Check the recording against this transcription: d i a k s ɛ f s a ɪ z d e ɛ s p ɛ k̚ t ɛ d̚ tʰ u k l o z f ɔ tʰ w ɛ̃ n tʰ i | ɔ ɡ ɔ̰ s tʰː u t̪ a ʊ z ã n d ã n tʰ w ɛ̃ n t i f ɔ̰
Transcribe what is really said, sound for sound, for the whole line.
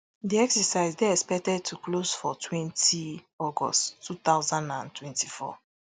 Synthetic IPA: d i ɛ k s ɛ s a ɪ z d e ɛ s p ɛ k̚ t ɛ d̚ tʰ u k l o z f ɔ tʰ w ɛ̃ n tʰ i | ɔ ɡ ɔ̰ s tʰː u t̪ a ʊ z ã n d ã n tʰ w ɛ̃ n t i f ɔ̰